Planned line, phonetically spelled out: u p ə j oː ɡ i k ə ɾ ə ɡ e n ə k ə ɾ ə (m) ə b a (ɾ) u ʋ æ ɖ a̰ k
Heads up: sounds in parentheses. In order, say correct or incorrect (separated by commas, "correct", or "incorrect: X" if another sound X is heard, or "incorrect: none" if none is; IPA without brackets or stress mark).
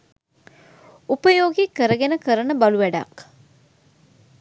incorrect: n, incorrect: l